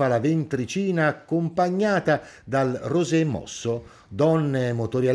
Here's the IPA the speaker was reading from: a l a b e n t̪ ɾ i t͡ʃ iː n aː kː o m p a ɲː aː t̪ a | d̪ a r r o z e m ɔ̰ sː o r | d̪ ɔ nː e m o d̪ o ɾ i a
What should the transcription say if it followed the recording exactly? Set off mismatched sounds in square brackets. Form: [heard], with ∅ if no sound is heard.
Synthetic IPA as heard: a l a [v] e n t̪ ɾ i t͡ʃ iː n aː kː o m p a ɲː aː t̪ a | d̪ a [l] r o z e m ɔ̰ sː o [∅] | d̪ ɔ nː e m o [t̪] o ɾ [j] a